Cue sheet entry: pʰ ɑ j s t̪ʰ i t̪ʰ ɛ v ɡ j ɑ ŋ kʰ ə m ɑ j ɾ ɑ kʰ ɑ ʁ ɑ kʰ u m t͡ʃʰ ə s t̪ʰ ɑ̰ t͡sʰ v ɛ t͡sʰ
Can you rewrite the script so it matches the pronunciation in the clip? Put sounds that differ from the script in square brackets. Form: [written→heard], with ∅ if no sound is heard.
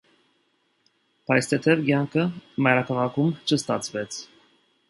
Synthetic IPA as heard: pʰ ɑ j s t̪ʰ [i→ɛ] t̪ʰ ɛ v ɡ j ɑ ŋ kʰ ə m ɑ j ɾ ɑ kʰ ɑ ʁ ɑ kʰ u m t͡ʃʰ ə s [t̪ʰ→t̪] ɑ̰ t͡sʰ v ɛ t͡sʰ